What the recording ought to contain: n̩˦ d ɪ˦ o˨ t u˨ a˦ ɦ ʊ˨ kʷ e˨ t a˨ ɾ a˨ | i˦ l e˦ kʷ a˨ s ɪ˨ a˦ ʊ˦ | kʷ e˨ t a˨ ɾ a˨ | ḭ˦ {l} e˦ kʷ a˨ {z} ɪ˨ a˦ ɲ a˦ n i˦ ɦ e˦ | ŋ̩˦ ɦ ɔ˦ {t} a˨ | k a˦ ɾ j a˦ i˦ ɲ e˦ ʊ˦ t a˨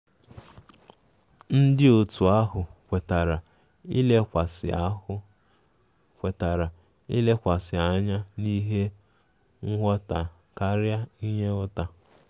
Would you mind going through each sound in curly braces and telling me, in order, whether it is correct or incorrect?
correct, incorrect: s, correct

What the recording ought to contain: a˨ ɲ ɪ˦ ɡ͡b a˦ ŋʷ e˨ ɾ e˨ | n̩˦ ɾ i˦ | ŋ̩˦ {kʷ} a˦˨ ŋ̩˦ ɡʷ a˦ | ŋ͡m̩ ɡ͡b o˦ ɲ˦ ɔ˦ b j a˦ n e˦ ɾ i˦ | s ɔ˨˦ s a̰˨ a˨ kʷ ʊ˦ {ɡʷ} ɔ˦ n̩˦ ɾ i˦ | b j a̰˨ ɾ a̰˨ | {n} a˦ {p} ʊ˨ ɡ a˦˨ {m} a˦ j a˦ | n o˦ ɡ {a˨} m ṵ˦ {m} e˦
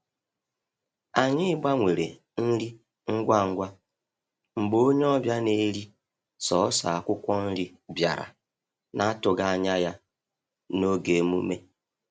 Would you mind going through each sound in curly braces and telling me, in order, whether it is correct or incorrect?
incorrect: ɡʷ, incorrect: kʷ, correct, incorrect: t, incorrect: ɲ, incorrect: e˨, correct

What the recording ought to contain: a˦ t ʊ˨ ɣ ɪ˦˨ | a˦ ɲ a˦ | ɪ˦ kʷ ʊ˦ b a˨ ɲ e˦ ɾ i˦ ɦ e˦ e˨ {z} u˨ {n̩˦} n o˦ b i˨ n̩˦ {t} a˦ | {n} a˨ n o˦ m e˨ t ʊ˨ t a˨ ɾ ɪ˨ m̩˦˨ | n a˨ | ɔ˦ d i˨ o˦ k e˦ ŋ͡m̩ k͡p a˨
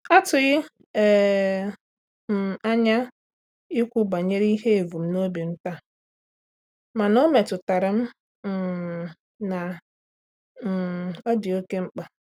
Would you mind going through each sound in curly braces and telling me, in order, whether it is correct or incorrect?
incorrect: v, incorrect: m̩˦, correct, incorrect: m

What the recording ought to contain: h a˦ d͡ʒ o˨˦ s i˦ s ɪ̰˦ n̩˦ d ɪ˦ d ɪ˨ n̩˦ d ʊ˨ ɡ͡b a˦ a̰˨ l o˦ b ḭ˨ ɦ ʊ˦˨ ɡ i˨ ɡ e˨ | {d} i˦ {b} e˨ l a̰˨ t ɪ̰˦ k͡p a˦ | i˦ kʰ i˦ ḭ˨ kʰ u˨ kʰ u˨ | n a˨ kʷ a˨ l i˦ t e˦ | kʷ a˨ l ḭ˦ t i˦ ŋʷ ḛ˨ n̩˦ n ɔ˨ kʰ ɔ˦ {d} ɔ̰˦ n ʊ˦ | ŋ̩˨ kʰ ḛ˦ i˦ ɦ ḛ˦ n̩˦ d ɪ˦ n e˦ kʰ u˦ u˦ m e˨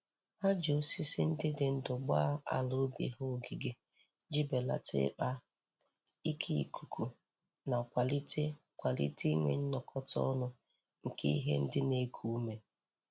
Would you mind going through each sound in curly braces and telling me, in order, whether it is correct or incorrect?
incorrect: d͡ʒ, correct, incorrect: t

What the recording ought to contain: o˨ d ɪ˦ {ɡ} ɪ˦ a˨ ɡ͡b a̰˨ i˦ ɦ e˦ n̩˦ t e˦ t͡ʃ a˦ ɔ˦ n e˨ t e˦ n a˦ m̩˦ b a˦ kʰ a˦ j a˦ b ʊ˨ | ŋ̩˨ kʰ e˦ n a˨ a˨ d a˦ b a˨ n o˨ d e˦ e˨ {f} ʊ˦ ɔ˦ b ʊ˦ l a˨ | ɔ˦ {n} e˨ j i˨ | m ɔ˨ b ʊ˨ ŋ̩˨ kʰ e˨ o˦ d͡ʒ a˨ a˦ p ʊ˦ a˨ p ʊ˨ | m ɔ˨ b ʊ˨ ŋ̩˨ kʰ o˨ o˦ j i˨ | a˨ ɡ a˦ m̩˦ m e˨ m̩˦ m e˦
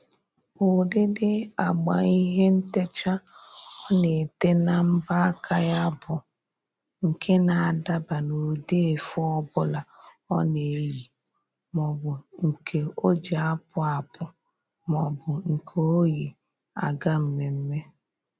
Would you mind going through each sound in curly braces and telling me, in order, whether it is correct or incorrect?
incorrect: d, correct, correct

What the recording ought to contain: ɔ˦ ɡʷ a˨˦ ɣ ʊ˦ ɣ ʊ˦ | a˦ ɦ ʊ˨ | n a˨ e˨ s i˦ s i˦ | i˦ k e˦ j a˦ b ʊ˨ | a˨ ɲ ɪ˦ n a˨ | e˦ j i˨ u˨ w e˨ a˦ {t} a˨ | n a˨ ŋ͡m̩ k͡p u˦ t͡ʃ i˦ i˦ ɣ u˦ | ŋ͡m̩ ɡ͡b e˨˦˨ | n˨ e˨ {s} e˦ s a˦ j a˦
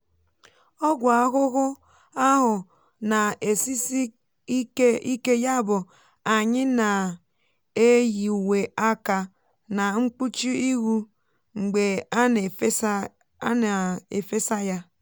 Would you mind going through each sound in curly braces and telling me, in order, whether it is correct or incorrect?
incorrect: k, incorrect: f

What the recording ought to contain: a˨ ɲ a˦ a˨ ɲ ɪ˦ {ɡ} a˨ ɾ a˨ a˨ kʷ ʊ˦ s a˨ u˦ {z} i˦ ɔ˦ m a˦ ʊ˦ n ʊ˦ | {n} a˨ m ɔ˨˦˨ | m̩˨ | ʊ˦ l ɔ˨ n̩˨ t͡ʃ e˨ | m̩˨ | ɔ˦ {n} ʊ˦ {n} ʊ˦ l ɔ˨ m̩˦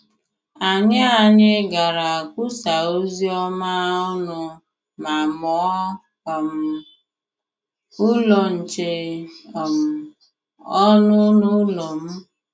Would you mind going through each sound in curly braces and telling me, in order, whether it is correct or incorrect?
correct, correct, incorrect: m, correct, correct

